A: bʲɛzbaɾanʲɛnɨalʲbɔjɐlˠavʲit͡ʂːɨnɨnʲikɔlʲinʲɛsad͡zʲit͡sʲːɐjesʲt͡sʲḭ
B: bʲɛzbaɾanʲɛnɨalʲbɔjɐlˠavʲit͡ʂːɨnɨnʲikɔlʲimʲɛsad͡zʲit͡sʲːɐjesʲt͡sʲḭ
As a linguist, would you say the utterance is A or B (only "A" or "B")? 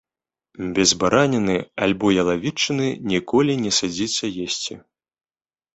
A